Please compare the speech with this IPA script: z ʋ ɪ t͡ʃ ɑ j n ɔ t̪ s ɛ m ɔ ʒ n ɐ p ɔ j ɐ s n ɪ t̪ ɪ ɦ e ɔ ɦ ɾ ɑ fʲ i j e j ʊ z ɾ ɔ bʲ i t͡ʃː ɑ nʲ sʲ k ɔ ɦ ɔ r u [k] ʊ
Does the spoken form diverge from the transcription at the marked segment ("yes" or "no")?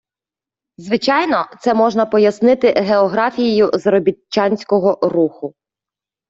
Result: yes